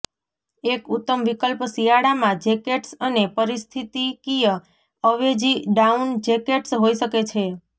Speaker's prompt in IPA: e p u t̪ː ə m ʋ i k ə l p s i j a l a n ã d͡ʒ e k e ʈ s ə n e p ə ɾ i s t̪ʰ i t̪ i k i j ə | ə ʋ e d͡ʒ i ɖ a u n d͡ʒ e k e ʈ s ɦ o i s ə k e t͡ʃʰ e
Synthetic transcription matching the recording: e k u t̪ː ə m ʋ i k ə l p s i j a ɽ a m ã d͡ʒ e k e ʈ s ə n e p ə ɾ i s t̪ʰ i t̪ i k i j ə | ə ʋ e d͡ʒ i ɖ a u n d͡ʒ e k e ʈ s ɦ o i ʃ ə k e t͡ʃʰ e